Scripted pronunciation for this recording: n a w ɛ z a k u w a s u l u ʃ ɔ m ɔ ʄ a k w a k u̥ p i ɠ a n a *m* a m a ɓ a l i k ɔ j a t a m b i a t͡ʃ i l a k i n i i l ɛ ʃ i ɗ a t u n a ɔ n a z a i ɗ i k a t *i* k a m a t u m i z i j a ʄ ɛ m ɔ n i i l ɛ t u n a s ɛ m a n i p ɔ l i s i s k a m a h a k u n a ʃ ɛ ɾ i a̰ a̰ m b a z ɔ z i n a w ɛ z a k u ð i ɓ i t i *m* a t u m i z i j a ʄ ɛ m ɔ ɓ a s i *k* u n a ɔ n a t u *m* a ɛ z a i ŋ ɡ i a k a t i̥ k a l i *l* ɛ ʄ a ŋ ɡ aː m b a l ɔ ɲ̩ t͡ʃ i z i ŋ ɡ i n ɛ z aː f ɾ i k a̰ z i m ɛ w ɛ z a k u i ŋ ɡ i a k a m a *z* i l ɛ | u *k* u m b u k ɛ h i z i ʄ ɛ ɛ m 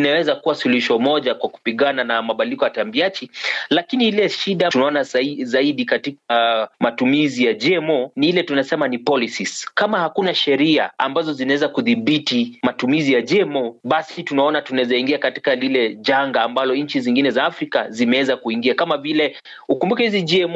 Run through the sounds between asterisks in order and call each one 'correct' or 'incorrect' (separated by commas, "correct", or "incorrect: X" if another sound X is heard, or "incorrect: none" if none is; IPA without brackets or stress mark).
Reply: incorrect: n, correct, correct, incorrect: t, incorrect: n, correct, incorrect: v, correct